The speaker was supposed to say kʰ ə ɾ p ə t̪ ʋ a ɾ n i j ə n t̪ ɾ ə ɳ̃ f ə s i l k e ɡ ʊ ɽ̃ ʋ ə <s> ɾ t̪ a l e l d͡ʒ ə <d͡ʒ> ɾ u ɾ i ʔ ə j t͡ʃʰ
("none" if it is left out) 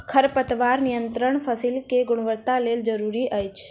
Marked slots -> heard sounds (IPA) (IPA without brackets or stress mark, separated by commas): none, none